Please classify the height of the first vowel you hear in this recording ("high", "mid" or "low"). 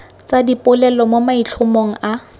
low